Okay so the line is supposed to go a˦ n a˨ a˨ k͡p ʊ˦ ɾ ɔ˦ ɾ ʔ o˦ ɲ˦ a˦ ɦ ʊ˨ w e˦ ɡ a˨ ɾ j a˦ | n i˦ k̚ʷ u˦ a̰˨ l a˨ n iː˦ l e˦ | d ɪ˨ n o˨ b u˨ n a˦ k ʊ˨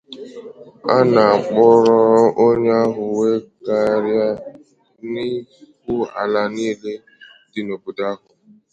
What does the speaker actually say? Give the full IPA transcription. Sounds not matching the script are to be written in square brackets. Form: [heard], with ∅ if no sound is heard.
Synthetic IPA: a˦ n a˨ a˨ k͡p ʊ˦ ɾ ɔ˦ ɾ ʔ o˦ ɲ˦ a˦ ɦ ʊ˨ w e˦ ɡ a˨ ɾ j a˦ | n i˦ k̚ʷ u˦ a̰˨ l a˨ n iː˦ l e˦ | d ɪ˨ n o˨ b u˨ [d] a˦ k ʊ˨

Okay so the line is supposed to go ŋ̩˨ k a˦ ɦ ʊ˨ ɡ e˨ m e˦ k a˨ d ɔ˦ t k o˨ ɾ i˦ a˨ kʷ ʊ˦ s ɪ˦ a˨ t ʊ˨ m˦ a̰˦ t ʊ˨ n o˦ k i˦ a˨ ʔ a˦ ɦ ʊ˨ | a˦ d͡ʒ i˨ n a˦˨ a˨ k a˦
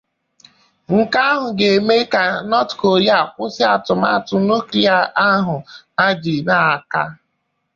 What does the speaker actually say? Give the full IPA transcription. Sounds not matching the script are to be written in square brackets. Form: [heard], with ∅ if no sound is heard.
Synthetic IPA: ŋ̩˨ k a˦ ɦ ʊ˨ ɡ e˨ m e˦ k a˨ [n] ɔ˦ t k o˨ ɾ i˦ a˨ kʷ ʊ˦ s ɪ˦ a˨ t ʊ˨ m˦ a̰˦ t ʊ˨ n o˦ k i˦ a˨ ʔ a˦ ɦ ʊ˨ | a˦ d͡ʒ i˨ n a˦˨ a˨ k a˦

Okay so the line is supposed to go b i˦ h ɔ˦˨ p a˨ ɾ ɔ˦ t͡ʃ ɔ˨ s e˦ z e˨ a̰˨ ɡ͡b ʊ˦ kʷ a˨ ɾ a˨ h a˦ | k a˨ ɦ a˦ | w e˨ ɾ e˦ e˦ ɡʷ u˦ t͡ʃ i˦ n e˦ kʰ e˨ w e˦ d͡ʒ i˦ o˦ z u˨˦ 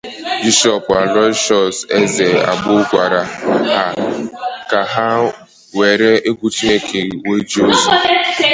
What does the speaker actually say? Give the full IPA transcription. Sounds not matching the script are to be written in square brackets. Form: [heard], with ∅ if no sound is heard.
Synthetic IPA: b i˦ [ʃ] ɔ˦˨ p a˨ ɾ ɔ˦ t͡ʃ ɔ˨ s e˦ z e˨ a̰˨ ɡ͡b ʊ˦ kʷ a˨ ɾ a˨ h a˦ | k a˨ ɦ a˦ | w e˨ ɾ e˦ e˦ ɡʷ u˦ t͡ʃ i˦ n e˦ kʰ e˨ w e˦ d͡ʒ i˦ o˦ z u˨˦

